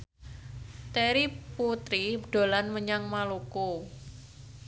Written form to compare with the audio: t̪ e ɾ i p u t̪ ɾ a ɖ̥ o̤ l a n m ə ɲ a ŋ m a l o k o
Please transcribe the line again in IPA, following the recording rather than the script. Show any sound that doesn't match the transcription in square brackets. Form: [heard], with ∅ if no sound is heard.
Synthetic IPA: t̪ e ɾ i p u t̪ ɾ [i] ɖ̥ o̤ l a n m ə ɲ a ŋ m a l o k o